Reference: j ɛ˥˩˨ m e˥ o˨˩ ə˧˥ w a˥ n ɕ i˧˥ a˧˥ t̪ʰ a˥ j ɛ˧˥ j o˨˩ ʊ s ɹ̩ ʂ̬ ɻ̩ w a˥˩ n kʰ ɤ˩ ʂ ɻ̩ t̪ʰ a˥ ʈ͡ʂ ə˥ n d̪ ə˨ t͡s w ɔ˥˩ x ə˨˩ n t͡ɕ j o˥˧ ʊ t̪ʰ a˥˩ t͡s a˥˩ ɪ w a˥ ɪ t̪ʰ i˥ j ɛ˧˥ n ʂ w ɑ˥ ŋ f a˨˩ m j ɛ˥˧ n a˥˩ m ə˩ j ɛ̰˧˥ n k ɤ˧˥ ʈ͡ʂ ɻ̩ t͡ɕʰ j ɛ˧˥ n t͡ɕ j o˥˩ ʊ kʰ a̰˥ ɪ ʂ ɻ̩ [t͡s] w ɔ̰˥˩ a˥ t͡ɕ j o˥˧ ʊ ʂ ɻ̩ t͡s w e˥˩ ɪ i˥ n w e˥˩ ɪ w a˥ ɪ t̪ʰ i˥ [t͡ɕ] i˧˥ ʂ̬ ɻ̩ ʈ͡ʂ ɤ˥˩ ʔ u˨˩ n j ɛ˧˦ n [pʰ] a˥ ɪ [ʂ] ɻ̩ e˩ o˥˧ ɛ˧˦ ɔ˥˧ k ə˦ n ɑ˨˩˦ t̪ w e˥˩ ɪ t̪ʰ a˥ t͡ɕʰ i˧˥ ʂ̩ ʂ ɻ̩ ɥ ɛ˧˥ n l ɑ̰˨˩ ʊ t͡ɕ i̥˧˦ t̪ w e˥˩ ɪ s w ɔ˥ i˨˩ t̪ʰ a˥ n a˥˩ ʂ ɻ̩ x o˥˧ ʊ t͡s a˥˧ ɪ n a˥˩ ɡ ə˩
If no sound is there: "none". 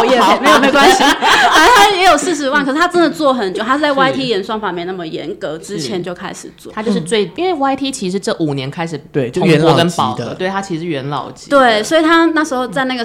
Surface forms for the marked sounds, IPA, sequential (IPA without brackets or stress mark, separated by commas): t͡s, t͡ɕʰ, kʰ, ʂ